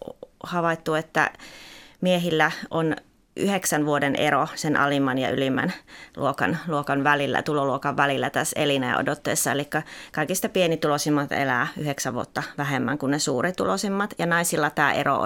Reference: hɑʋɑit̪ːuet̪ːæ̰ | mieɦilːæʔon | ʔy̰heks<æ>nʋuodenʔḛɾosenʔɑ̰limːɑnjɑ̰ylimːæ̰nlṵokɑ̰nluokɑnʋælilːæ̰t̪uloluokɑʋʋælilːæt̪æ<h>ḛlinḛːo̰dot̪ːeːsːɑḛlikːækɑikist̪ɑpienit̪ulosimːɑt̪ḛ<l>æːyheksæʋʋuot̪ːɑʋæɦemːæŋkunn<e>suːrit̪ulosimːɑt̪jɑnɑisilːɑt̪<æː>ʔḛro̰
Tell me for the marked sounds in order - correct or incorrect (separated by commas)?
correct, incorrect, correct, correct, correct